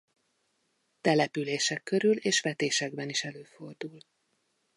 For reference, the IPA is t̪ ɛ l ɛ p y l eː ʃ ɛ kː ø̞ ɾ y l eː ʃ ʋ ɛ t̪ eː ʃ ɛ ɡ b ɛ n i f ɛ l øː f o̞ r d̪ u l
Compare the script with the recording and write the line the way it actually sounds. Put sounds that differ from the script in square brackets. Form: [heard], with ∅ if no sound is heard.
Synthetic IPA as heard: t̪ ɛ l ɛ p y l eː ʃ ɛ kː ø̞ ɾ y l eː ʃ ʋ ɛ t̪ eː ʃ ɛ ɡ b ɛ n i [ʃ] ɛ l øː f o̞ r d̪ u l